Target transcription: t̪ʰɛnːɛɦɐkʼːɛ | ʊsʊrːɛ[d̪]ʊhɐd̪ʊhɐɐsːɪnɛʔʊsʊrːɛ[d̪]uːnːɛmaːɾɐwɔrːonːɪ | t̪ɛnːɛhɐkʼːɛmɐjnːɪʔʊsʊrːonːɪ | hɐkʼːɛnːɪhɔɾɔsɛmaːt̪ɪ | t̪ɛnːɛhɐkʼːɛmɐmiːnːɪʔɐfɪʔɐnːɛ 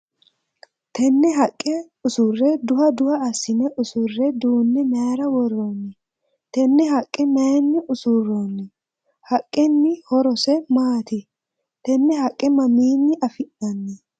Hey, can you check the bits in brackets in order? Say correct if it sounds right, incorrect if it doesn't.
correct, correct

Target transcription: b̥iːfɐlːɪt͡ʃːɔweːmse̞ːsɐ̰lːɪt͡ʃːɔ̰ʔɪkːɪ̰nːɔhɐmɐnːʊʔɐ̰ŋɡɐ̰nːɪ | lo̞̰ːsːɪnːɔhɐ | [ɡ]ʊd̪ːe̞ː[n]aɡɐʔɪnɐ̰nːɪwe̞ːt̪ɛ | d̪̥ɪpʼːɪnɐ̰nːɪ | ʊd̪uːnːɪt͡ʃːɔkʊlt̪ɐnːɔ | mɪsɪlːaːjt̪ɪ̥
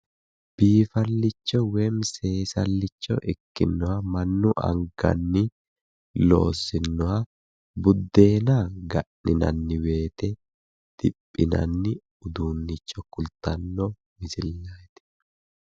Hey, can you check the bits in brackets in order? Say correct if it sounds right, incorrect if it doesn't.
incorrect: b, correct

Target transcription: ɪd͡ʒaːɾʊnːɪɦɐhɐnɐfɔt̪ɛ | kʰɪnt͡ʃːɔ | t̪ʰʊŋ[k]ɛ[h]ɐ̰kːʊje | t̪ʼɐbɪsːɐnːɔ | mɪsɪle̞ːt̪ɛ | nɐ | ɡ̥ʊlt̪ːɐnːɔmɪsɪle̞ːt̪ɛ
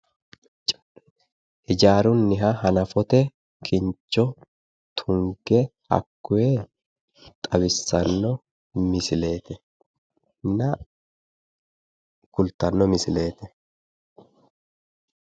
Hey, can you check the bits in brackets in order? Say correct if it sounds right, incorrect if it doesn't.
incorrect: ɡ, correct

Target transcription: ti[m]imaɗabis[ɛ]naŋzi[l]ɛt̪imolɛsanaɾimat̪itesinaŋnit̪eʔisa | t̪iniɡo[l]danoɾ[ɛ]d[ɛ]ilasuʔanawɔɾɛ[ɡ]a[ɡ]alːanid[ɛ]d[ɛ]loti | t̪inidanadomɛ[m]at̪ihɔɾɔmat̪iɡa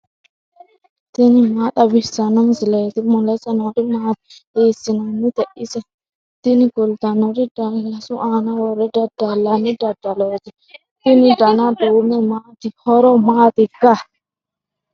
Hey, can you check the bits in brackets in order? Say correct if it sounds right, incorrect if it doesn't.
incorrect: n, incorrect: a, correct, correct, incorrect: i, incorrect: a, incorrect: d, incorrect: d, incorrect: a, incorrect: a, correct

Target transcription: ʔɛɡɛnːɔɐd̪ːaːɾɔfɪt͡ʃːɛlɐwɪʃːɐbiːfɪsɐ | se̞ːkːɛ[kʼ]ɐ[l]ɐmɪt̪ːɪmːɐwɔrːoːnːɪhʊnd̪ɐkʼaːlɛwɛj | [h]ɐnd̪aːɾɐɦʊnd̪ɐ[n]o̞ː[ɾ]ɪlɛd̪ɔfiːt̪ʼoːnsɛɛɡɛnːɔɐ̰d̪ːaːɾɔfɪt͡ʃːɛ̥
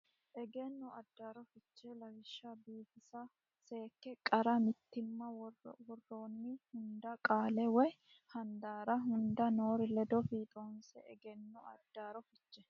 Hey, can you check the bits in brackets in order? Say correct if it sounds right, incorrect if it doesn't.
correct, incorrect: ɾ, correct, correct, correct

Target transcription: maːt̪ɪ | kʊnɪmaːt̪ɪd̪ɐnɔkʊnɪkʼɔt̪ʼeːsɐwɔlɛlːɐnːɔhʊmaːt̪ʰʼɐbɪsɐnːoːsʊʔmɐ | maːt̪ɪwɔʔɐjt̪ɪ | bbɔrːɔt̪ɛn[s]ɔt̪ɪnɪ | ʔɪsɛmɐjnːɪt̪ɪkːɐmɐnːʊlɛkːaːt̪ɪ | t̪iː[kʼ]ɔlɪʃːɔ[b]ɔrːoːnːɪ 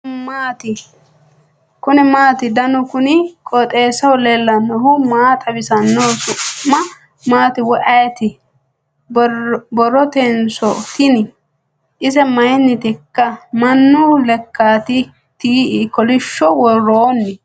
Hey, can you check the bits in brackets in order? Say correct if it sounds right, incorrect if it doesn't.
correct, incorrect: k, incorrect: w

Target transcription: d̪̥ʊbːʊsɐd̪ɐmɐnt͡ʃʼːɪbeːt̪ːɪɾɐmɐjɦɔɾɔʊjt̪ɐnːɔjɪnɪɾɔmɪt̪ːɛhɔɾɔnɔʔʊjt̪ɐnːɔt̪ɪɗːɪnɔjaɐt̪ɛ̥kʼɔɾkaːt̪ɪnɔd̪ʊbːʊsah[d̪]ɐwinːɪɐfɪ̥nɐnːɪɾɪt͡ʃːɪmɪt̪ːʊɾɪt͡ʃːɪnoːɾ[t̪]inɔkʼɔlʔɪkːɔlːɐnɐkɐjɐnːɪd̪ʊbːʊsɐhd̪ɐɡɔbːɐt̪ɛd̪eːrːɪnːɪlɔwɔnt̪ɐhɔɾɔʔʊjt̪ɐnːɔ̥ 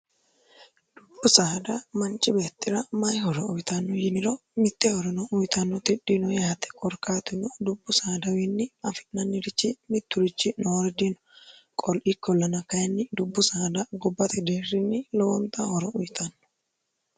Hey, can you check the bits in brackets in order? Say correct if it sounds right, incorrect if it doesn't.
correct, incorrect: d̪

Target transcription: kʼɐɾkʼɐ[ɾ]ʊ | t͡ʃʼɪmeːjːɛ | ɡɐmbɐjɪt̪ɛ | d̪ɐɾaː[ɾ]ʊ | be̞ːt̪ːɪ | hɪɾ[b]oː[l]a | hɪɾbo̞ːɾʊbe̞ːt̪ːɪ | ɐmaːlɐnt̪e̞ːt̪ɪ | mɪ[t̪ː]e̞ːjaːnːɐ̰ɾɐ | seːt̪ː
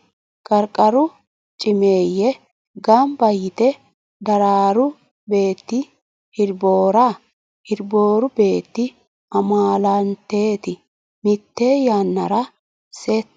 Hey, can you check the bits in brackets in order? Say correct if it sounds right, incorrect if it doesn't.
correct, correct, correct, incorrect: ɾ, correct

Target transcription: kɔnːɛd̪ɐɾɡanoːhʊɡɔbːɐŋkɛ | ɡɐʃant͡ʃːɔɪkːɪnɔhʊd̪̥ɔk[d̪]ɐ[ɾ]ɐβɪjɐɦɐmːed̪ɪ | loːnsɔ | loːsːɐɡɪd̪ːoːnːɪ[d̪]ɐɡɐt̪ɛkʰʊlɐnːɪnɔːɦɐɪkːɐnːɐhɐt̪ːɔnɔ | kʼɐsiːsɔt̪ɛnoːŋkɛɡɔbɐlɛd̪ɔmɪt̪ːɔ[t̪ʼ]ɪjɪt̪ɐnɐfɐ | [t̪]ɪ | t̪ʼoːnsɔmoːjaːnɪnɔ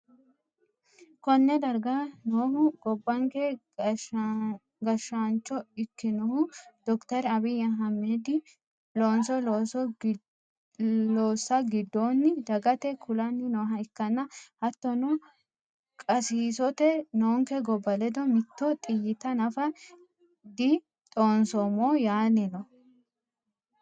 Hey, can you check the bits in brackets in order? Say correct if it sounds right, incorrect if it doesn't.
incorrect: t̪, correct, correct, correct, incorrect: d̪

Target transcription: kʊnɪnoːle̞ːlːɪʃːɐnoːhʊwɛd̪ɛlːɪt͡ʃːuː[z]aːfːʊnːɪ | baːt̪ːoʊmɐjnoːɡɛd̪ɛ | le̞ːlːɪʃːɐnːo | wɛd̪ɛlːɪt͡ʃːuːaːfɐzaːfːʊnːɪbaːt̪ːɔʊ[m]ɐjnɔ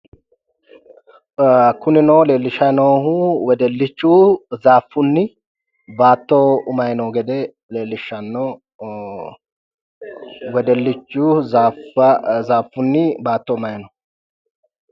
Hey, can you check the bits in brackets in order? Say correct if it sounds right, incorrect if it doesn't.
correct, correct

